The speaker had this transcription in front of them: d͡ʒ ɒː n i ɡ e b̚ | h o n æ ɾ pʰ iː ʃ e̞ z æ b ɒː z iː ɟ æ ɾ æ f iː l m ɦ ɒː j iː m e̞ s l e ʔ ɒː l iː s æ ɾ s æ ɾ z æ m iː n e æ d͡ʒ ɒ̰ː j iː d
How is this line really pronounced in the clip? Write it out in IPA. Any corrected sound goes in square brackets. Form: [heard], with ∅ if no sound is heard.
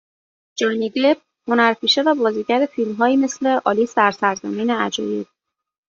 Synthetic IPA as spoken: d͡ʒ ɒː n i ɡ e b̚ | h o n æ ɾ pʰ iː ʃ e̞ [v] æ b ɒː z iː ɟ æ ɾ [e] f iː l m ɦ ɒː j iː m e̞ s l e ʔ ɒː l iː s æ ɾ s æ ɾ z æ m iː n e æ d͡ʒ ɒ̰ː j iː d